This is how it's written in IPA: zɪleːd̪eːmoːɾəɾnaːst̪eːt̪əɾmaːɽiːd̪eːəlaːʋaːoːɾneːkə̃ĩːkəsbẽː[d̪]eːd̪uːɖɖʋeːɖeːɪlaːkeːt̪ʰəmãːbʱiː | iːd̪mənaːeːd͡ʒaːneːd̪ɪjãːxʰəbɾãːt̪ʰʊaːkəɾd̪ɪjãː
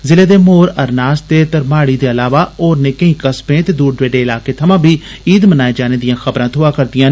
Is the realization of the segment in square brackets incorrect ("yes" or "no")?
yes